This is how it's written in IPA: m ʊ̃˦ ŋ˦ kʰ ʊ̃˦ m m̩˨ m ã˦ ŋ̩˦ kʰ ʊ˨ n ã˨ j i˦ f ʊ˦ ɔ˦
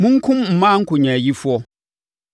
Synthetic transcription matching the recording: m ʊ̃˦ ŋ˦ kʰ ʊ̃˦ m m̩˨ m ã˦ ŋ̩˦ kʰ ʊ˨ ɲ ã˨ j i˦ f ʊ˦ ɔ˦